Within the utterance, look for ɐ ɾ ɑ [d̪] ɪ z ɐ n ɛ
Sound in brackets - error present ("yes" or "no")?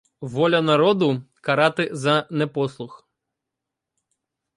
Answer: yes